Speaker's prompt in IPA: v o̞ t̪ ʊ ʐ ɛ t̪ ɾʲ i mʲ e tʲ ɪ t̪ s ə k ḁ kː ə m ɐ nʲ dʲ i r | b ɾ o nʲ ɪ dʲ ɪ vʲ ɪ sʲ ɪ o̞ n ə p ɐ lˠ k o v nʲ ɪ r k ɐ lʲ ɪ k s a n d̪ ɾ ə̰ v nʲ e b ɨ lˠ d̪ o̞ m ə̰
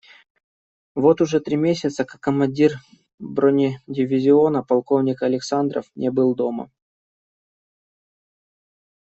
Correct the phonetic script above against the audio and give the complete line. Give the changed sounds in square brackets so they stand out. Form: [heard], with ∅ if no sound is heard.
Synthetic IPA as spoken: v o̞ t̪ ʊ ʐ ɛ t̪ ɾʲ i mʲ e [sʲ] ɪ t̪ s ə k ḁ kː ə m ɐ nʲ dʲ i r | b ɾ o nʲ ɪ dʲ ɪ vʲ ɪ [zʲ] ɪ o̞ n ə p ɐ lˠ k o v nʲ ɪ [∅] k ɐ lʲ ɪ k s a n d̪ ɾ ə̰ [f] nʲ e b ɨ lˠ d̪ o̞ m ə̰

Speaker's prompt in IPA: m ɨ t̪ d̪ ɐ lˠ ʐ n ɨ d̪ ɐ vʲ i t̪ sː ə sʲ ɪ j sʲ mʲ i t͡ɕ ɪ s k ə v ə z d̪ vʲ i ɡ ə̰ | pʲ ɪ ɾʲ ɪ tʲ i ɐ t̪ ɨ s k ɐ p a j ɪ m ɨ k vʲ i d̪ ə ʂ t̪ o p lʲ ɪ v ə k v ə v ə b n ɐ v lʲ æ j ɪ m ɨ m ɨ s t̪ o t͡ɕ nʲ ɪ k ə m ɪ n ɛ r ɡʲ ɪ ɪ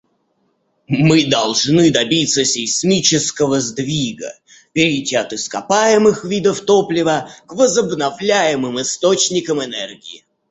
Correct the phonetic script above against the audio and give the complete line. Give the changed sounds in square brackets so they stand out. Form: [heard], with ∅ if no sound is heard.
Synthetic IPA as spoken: m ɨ [∅] d̪ ɐ lˠ ʐ n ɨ d̪ ɐ [bʲ] i t̪ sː ə sʲ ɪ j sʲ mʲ i t͡ɕ ɪ s k ə v ə z d̪ vʲ i ɡ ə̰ | pʲ ɪ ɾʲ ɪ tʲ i ɐ t̪ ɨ s k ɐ p a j ɪ m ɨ [x] vʲ i d̪ ə [f] t̪ o p lʲ ɪ v ə k v ə [z] ə b n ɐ v lʲ æ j ɪ m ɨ m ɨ s t̪ o t͡ɕ nʲ ɪ k ə m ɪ n ɛ r ɡʲ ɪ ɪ

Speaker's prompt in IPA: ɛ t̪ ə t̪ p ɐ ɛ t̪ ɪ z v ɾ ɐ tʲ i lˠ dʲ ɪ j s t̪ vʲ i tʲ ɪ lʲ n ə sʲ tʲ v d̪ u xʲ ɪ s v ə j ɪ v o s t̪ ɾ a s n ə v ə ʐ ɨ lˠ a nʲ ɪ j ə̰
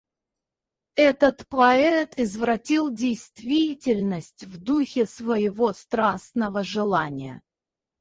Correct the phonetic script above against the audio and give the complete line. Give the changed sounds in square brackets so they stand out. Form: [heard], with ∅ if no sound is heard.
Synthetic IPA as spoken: ɛ t̪ ə t̪ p ɐ ɛ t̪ ɪ z v ɾ ɐ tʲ i lˠ dʲ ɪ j s t̪ vʲ i tʲ ɪ lʲ n ə sʲ tʲ v d̪ u xʲ ɪ s v ə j ɪ v o s t̪ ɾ a s n ə v ə ʐ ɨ lˠ a nʲ ɪ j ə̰

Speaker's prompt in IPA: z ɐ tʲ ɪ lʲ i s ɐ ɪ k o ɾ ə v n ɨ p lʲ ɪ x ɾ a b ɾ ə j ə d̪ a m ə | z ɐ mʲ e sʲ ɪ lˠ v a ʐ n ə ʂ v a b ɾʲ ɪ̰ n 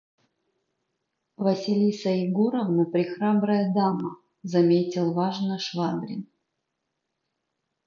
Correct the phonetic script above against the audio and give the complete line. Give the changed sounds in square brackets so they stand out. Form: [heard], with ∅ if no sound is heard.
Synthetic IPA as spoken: [v] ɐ [sʲ] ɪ lʲ i s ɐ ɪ [ɡ] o ɾ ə v n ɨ p [ɾʲ] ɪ x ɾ a b ɾ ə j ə d̪ a m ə | z ɐ mʲ e [tʲ] ɪ lˠ v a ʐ n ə ʂ v a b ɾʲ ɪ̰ n

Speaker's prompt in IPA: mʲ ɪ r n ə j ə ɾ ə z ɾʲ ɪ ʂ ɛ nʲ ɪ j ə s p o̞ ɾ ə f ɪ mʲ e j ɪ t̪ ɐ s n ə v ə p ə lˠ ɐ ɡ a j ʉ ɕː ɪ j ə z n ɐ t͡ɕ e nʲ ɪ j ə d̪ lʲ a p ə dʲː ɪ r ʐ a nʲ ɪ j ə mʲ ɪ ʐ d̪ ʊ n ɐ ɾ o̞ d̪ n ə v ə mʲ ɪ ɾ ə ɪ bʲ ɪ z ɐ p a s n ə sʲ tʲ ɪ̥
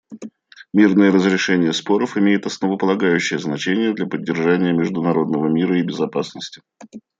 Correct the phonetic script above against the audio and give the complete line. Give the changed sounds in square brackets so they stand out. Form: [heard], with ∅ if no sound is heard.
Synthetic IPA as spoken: mʲ [i] r n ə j ə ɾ ə z ɾʲ ɪ ʂ ɛ nʲ ɪ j ə s p o̞ ɾ ə f ɪ mʲ e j ɪ t̪ ɐ s n ə v ə p ə lˠ ɐ ɡ a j ʉ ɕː ɪ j ə z n ɐ t͡ɕ e nʲ ɪ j ə d̪ lʲ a p ə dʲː ɪ r ʐ a nʲ ɪ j ə mʲ ɪ ʐ d̪ ʊ n ɐ ɾ o̞ d̪ n ə v ə mʲ [i] ɾ ə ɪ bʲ ɪ z ɐ p a s n ə sʲ tʲ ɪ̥

